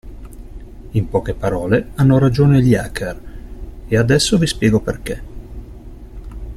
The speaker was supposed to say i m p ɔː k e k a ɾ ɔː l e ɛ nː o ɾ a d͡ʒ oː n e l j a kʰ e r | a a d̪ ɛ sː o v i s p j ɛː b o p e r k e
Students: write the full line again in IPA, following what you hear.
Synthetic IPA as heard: i m p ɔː k e p a ɾ ɔː l e a nː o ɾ a d͡ʒ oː n e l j a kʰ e r | e a d̪ ɛ sː o v i s p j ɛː ɡ o p e r k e